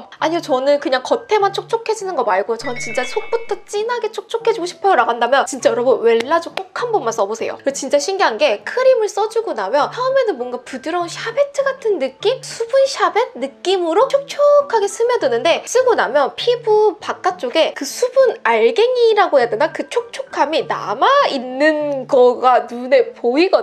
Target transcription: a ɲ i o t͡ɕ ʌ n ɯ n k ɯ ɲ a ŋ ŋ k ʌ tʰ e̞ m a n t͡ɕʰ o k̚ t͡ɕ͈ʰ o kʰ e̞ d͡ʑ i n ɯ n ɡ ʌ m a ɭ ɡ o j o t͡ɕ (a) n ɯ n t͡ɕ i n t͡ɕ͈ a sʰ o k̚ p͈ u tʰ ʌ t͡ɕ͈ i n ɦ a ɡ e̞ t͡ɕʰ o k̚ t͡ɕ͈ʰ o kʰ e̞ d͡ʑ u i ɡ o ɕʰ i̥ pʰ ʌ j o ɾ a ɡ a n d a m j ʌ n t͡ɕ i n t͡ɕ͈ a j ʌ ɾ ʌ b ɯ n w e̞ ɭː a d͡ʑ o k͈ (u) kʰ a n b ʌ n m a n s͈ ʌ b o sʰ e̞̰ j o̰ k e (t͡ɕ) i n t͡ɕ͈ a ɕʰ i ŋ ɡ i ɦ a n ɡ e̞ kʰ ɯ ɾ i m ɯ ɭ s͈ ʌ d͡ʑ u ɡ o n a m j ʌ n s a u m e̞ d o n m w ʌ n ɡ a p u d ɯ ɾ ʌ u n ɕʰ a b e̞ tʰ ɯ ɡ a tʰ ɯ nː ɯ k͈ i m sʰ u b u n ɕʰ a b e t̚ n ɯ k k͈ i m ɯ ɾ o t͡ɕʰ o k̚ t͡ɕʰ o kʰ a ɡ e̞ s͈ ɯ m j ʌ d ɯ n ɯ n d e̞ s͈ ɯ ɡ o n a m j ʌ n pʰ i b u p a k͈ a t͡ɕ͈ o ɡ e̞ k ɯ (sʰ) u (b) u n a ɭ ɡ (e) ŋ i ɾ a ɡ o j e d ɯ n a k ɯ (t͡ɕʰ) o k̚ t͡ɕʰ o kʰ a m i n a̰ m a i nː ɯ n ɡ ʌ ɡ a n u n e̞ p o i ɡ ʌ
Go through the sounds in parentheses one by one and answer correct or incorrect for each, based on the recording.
incorrect, incorrect, correct, correct, correct, correct, correct

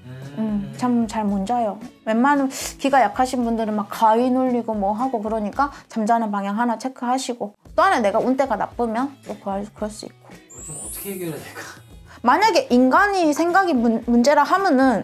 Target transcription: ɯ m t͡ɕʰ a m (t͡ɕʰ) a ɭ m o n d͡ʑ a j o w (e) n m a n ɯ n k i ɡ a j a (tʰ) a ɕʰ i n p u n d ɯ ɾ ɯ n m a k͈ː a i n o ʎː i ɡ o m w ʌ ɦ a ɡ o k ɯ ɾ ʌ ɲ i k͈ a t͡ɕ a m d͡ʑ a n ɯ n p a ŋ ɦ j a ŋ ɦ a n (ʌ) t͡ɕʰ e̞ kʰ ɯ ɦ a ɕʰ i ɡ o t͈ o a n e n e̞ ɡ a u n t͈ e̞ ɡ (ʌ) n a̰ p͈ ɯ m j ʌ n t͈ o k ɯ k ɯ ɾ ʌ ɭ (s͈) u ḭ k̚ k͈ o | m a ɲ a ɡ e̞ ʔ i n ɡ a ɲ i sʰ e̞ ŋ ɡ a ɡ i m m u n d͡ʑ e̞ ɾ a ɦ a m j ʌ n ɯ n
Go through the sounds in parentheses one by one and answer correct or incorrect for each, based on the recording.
incorrect, correct, incorrect, incorrect, incorrect, correct

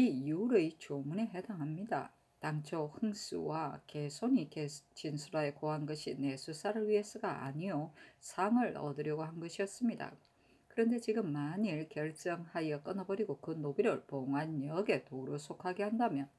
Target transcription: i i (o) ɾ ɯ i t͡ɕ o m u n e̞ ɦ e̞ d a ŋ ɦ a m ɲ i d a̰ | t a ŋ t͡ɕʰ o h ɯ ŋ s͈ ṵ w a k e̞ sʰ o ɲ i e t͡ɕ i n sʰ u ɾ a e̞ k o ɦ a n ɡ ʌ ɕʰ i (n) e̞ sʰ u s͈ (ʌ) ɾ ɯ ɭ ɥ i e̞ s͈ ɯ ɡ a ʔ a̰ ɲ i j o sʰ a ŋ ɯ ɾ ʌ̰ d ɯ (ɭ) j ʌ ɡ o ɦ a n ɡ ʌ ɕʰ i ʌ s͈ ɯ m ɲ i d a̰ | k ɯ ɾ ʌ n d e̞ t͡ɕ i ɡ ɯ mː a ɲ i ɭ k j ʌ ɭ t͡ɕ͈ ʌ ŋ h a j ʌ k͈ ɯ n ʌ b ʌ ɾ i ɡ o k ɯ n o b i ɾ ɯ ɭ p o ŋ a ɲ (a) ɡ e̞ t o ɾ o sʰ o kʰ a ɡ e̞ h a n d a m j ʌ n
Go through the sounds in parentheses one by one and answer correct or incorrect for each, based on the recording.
incorrect, correct, incorrect, incorrect, incorrect

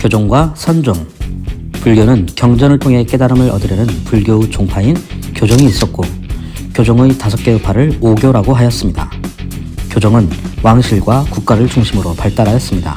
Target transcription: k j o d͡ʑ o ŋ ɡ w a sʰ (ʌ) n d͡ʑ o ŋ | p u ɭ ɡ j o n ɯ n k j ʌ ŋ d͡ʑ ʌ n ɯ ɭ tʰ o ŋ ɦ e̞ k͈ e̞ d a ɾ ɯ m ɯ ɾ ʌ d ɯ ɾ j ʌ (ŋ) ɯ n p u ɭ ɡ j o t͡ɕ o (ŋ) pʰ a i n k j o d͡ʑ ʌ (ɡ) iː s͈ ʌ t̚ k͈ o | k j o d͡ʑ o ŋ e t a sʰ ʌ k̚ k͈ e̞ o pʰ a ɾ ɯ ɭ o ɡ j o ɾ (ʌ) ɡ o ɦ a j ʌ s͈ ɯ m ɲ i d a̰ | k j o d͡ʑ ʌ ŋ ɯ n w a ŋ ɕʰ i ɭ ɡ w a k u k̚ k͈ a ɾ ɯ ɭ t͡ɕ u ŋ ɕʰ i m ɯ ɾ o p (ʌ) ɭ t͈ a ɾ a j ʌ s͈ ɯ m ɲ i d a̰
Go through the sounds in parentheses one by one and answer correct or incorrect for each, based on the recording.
correct, incorrect, correct, incorrect, incorrect, incorrect

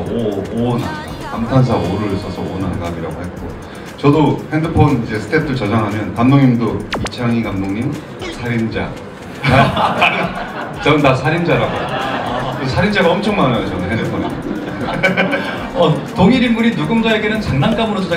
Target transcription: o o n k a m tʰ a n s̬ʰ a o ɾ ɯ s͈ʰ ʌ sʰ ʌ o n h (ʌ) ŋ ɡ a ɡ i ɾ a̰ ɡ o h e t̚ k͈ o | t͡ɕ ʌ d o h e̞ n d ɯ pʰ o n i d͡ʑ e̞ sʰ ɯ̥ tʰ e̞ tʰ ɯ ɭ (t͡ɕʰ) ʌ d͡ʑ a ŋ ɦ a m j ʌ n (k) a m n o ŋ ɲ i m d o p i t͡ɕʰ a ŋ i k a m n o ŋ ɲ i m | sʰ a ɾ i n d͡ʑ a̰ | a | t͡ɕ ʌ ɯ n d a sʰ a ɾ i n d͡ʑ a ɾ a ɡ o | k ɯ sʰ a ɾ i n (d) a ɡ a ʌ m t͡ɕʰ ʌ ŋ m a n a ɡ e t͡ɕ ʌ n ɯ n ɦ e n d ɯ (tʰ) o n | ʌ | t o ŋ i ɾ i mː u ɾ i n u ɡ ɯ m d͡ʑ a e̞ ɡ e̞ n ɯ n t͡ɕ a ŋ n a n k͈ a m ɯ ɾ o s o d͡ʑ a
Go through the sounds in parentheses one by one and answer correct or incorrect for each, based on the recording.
incorrect, incorrect, correct, incorrect, incorrect

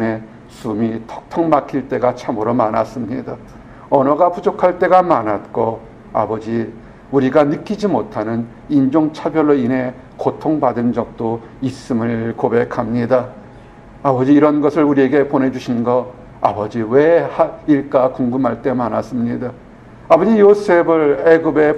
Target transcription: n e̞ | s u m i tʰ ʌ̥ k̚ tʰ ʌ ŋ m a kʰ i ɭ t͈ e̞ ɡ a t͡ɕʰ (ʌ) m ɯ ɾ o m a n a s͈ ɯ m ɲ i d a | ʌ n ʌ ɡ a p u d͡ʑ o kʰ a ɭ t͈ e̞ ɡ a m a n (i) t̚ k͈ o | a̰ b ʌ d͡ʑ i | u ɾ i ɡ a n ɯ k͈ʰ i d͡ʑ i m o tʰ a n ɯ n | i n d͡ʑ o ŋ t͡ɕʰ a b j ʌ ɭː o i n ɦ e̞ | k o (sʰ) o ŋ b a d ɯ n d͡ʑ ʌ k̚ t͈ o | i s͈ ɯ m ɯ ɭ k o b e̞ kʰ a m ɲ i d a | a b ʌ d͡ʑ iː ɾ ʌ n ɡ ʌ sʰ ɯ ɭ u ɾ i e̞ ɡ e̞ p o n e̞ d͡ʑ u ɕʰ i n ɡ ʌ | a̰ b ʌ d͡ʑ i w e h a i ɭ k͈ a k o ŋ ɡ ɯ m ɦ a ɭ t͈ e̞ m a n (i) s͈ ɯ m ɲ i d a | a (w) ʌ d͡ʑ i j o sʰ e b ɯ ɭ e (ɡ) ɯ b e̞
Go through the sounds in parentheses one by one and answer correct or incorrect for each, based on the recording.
incorrect, incorrect, incorrect, incorrect, incorrect, correct

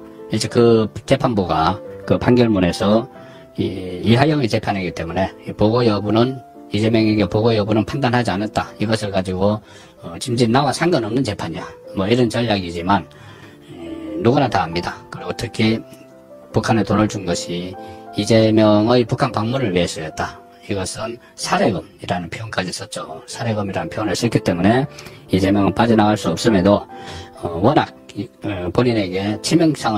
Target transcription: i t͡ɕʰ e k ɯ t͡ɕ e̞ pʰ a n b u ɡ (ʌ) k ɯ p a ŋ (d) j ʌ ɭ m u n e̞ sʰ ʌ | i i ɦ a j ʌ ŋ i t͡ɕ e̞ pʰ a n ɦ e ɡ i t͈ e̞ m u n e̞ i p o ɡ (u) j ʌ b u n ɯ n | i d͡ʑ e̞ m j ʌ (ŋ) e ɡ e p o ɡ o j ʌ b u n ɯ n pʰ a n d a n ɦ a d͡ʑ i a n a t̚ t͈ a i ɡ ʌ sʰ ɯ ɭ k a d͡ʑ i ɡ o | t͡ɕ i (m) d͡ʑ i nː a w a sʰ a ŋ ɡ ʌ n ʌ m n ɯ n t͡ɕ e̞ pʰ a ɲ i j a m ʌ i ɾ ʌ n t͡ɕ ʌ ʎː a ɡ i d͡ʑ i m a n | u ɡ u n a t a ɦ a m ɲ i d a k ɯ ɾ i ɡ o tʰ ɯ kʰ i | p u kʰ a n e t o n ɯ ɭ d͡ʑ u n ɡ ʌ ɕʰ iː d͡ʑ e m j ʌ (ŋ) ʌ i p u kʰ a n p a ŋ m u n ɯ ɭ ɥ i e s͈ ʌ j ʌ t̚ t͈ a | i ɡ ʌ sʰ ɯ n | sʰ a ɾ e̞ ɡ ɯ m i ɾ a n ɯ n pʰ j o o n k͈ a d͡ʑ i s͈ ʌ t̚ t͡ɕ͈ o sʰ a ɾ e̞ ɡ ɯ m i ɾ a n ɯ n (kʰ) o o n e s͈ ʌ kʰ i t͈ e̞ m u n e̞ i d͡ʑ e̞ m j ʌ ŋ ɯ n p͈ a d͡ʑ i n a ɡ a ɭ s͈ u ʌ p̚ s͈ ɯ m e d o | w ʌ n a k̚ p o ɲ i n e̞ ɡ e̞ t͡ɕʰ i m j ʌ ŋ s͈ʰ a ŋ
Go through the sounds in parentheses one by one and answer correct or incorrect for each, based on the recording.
incorrect, incorrect, incorrect, correct, correct, correct, incorrect

